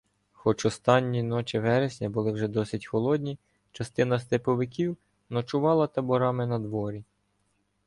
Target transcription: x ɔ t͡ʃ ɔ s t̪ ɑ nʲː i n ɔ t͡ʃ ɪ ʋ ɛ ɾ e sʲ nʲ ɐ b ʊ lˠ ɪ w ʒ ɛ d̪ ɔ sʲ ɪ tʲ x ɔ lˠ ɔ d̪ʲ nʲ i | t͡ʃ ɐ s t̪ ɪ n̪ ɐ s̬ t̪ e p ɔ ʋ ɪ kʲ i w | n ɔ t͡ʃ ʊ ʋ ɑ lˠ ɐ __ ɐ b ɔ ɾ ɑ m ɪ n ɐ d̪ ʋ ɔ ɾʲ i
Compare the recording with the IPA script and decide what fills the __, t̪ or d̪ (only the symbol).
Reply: t̪